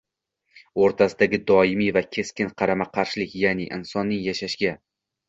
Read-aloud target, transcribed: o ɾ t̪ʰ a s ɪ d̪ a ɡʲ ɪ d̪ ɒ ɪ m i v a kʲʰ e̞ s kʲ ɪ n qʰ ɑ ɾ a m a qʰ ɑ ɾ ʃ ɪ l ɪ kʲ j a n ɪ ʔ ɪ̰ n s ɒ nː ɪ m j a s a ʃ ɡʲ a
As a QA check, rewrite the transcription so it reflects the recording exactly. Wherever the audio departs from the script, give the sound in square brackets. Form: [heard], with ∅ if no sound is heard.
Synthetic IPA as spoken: o ɾ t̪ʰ a s ɪ d̪ a ɡʲ ɪ d̪ ɒ ɪ m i v a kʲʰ e̞ s kʲ ɪ n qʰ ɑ ɾ a m a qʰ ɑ ɾ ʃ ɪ l ɪ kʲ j a n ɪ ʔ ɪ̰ n s ɒ nː ɪ [ŋ] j a [ʃ] a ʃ ɡʲ a

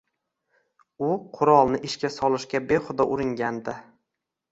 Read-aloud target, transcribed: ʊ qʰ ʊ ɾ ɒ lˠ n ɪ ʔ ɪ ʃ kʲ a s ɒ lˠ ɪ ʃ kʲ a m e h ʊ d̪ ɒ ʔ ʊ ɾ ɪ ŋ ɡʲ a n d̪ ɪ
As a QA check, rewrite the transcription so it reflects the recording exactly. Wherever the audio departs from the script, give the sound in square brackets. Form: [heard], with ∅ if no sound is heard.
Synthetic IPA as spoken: ʊ qʰ ʊ ɾ ɒ lˠ n ɪ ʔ ɪ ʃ kʲ a s ɒ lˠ ɪ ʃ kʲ a [b] e [χ] ʊ d̪ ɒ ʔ ʊ ɾ ɪ ŋ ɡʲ a n d̪ ɪ

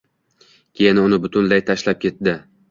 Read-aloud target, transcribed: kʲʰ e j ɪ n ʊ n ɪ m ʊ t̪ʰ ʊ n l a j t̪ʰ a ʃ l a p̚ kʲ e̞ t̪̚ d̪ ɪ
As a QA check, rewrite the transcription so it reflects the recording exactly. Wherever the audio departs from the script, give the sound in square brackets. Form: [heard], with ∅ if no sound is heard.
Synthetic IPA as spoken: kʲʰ e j ɪ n ʊ n ɪ [b] ʊ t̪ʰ ʊ n l a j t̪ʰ a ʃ l a p̚ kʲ e̞ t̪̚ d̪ ɪ

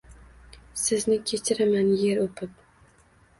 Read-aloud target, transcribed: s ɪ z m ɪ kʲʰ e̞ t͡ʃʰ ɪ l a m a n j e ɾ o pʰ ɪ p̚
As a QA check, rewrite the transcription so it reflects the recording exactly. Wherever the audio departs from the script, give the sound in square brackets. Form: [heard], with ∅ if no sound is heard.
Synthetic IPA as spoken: s ɪ z [n] ɪ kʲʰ e̞ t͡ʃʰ ɪ [ɾ] a m a n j e ɾ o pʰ ɪ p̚

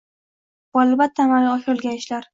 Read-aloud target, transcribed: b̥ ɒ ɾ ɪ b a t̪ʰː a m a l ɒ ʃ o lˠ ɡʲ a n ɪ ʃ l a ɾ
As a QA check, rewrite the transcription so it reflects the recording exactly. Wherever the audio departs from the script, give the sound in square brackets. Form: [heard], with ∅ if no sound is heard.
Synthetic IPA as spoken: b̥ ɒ [l] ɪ b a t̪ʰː a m a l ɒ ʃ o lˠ ɡʲ a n ɪ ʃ l a ɾ

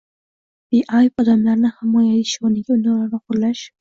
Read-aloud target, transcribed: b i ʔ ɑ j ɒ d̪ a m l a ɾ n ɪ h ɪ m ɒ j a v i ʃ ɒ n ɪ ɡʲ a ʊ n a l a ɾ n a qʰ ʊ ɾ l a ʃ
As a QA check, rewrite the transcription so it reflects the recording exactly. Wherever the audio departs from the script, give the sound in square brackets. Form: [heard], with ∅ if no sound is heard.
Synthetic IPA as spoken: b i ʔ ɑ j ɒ d̪ a m l a ɾ n ɪ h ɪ m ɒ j a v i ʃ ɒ n ɪ ɡʲ a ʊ n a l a ɾ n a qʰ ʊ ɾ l a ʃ

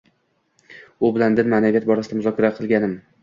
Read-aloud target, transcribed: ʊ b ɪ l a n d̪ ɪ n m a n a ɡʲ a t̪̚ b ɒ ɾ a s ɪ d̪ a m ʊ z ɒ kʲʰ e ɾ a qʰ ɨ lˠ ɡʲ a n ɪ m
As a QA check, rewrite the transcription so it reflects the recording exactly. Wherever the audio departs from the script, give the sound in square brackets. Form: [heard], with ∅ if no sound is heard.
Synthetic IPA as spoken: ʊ b ɪ l a n d̪ ɪ n m a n a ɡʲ a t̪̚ b ɒ ɾ a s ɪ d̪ a m ʊ z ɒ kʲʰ [a] ɾ a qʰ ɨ lˠ ɡʲ a n ɪ m

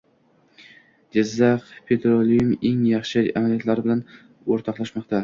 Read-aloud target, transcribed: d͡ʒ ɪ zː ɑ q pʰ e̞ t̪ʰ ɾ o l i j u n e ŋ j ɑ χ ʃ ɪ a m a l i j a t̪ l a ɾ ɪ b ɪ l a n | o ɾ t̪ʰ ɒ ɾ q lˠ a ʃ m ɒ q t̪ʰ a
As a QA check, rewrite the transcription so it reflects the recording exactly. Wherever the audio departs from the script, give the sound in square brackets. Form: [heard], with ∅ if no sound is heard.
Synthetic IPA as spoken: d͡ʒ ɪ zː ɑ q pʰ e̞ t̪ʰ ɾ o l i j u [m] e ŋ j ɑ χ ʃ ɪ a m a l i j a t̪ l a ɾ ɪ b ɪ l a n | o ɾ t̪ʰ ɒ [∅] q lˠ a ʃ m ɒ q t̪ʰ a

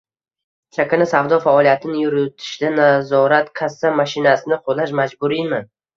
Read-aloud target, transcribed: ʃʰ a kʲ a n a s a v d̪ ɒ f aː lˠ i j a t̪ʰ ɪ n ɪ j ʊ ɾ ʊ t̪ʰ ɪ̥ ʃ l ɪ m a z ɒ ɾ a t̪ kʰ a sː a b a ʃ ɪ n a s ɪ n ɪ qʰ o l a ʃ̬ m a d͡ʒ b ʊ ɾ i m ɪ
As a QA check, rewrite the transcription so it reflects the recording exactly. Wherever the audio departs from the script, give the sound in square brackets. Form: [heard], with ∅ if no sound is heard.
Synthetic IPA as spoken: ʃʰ a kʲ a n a s a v d̪ ɒ f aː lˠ i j a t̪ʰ ɪ n ɪ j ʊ ɾ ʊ t̪ʰ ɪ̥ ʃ l ɪ [n] a z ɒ ɾ a t̪ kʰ a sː a [m] a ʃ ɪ n a s ɪ n ɪ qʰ o l a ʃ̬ m a d͡ʒ b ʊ ɾ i m ɪ

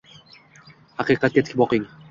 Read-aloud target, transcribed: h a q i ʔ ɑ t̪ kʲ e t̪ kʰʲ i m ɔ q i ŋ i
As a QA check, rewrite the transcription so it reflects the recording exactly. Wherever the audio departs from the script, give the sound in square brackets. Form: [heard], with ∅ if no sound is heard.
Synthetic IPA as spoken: h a q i [q] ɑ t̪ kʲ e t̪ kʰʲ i [b] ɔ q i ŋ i

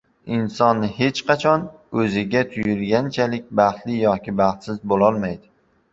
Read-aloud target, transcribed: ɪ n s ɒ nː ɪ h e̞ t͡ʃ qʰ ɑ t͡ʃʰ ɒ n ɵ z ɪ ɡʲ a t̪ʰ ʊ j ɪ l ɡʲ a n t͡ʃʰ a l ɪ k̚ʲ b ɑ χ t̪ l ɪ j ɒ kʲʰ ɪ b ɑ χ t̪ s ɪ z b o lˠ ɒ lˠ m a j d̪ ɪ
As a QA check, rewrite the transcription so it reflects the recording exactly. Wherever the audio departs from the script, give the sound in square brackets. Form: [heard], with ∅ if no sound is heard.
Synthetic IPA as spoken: ɪ n s ɒ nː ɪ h e̞ t͡ʃ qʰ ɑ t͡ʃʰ ɒ n ɵ z ɪ ɡʲ a t̪ʰ ʊ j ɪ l ɡʲ a n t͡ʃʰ a l ɪ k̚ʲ b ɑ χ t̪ l ɪ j ɒ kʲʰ ɪ b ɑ χ t̪ s ɪ z b o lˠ ɒ lˠ m a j d̪ ɪ

